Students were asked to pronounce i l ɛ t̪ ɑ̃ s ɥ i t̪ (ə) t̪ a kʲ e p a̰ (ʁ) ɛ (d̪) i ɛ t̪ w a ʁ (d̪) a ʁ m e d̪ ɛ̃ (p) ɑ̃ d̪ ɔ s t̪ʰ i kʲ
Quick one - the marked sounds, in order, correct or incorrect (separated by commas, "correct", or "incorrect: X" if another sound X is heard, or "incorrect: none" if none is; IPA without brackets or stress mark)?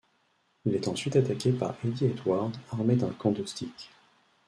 incorrect: a, correct, correct, correct, incorrect: k